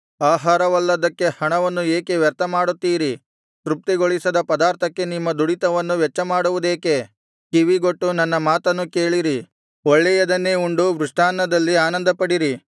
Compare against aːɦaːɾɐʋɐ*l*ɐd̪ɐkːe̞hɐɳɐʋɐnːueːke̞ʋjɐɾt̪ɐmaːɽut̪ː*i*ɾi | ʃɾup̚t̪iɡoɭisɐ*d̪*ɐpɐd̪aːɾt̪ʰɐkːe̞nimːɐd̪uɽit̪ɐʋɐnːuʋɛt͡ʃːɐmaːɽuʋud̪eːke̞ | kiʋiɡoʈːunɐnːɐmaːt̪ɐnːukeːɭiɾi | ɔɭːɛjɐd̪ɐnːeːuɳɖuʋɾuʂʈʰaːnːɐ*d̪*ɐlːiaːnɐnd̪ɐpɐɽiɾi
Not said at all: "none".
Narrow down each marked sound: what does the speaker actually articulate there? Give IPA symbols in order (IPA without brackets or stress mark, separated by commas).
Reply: lː, iː, d̪, d̪